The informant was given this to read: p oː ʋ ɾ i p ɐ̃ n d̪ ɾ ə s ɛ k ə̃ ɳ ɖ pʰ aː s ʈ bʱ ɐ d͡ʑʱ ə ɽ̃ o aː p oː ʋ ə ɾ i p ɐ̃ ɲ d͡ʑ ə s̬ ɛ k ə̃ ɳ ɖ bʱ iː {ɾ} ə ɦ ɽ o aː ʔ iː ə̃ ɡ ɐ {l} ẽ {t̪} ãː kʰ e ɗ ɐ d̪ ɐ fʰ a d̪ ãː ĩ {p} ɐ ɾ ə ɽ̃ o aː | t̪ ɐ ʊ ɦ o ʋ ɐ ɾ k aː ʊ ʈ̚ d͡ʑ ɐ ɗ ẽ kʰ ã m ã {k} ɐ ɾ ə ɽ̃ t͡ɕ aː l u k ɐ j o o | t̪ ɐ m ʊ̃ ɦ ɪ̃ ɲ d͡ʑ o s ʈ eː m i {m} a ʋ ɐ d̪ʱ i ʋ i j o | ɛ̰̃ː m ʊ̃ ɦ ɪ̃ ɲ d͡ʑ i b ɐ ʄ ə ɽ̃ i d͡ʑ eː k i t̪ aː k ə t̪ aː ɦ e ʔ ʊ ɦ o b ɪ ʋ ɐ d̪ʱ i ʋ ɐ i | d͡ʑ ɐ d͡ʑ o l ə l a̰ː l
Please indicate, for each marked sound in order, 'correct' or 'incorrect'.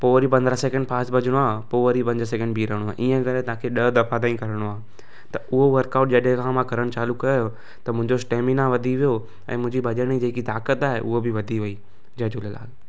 correct, incorrect: ɾ, correct, incorrect: k, correct, incorrect: n

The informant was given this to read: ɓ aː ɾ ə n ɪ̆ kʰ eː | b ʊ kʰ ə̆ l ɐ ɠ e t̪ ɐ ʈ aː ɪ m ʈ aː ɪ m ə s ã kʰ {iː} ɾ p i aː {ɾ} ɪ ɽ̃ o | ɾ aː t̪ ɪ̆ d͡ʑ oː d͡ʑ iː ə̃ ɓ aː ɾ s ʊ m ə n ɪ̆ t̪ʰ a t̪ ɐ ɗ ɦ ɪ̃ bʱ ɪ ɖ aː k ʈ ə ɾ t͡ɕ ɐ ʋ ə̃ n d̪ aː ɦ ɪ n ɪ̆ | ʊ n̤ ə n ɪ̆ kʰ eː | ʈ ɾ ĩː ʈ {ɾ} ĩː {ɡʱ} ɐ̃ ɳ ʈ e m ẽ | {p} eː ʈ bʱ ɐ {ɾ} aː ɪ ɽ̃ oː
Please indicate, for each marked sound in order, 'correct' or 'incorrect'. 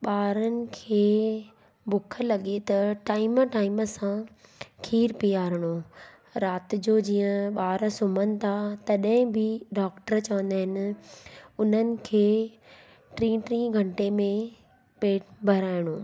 correct, correct, correct, correct, correct, correct

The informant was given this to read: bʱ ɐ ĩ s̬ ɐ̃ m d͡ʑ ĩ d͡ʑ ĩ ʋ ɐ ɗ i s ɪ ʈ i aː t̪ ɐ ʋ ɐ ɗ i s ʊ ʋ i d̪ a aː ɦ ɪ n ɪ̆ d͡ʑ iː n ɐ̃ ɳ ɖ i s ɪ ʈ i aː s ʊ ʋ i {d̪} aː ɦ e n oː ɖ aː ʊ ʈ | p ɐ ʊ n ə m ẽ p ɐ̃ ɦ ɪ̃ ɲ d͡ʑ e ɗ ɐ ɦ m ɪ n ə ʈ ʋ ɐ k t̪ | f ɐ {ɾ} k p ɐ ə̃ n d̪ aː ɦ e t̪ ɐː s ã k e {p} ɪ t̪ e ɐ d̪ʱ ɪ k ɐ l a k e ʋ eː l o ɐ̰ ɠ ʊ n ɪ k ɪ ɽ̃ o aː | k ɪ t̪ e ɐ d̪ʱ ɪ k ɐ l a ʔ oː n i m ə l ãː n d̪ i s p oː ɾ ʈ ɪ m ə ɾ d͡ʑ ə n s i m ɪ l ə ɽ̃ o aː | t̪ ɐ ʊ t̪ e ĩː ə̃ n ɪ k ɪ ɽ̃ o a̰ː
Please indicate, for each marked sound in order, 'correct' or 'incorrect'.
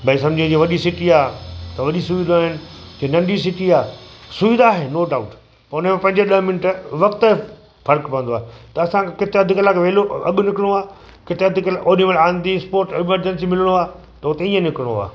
correct, correct, incorrect: k

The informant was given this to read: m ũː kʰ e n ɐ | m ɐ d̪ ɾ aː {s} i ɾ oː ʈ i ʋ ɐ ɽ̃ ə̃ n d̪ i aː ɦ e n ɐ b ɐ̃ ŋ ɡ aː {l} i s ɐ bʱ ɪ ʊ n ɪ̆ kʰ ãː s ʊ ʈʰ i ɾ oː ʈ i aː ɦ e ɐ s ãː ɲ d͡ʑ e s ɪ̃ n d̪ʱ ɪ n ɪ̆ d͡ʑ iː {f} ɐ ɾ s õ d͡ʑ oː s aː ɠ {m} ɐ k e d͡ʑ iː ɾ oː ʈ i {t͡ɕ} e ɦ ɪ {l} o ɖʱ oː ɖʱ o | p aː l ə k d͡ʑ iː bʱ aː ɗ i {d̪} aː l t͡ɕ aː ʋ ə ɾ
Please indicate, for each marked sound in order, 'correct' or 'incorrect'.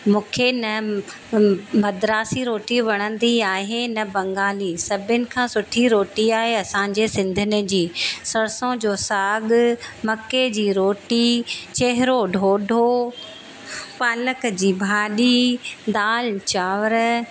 correct, correct, incorrect: s, correct, correct, incorrect: ɾ, correct

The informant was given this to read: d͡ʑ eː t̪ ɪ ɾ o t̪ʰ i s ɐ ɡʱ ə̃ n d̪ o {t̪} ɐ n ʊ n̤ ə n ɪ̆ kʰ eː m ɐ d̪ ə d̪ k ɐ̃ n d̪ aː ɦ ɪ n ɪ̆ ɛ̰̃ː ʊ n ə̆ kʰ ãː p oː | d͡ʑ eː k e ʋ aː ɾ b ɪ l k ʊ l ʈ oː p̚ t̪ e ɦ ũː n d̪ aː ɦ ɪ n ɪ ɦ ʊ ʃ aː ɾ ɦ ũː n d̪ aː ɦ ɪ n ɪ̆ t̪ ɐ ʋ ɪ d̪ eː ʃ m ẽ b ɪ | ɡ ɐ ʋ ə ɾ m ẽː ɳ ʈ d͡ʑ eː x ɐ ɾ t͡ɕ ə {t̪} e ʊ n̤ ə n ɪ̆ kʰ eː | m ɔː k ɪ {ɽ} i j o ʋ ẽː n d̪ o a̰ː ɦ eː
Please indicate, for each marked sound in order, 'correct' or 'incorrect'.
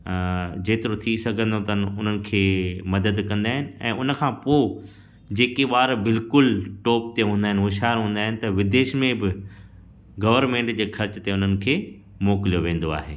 correct, correct, incorrect: l

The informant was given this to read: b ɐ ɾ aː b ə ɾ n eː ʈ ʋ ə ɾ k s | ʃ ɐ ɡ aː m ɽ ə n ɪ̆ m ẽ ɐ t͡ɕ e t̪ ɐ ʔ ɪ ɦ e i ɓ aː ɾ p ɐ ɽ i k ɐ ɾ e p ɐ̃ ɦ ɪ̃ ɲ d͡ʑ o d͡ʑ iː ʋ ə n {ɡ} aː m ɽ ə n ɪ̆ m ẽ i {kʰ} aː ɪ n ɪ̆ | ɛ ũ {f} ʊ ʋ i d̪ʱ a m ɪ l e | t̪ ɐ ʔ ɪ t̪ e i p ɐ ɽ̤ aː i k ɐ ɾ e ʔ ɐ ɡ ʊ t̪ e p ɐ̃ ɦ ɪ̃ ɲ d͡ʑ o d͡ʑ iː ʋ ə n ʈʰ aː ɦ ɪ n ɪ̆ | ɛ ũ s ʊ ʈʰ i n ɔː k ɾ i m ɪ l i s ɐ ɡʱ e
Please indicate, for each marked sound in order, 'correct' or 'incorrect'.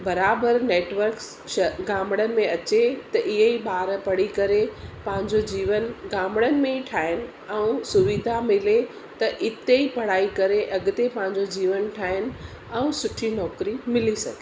correct, incorrect: ʈʰ, incorrect: s

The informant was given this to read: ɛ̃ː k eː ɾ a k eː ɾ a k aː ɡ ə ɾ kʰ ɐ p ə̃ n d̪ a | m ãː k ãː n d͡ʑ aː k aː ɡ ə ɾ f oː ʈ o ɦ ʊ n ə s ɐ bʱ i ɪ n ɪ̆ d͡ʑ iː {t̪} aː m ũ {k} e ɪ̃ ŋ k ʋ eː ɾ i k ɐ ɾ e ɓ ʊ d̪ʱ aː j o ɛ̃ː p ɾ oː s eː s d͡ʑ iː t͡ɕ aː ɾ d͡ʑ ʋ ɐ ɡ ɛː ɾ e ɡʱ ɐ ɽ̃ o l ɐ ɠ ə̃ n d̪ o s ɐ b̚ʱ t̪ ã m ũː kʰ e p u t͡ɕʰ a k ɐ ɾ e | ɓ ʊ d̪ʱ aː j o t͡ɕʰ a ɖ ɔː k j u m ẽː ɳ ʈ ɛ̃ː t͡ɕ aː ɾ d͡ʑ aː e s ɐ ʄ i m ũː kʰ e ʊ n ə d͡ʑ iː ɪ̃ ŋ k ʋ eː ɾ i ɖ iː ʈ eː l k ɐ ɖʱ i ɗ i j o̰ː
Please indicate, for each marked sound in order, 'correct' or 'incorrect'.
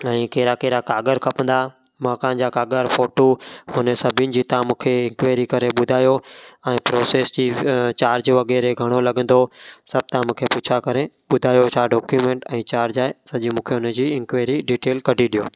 correct, incorrect: kʰ

